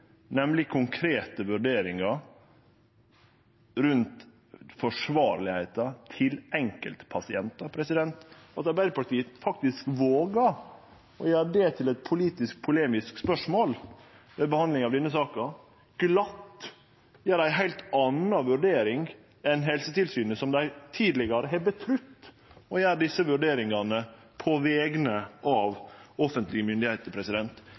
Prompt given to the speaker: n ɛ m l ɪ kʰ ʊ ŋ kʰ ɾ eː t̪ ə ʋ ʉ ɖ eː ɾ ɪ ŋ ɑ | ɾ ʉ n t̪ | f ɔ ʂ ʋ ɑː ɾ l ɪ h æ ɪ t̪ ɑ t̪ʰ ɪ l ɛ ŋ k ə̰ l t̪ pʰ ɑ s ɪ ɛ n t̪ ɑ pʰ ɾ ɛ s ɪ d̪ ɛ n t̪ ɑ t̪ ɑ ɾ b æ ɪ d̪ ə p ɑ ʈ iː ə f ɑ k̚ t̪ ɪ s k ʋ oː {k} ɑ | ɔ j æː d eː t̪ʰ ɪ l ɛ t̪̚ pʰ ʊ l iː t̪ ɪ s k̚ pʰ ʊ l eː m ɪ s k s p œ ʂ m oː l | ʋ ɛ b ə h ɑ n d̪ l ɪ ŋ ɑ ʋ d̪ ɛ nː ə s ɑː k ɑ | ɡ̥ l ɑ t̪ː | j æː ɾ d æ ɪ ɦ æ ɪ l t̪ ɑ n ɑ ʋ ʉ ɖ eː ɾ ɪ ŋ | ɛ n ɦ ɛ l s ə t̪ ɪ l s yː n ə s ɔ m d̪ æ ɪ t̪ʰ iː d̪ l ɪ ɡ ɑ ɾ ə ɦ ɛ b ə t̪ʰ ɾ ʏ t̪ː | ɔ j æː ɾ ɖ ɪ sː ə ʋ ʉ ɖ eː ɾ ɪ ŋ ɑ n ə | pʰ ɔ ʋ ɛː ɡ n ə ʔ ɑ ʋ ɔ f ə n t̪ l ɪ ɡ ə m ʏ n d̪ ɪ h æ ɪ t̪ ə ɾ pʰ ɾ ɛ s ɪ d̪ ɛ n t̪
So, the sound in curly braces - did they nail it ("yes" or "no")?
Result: no